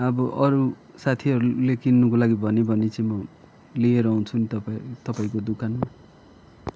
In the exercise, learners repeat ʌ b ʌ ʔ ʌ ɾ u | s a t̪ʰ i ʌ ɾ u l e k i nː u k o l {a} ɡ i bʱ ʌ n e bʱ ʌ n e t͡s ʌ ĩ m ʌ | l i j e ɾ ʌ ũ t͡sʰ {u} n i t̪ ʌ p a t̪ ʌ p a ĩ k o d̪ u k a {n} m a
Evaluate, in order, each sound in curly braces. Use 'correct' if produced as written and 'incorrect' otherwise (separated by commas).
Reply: correct, correct, correct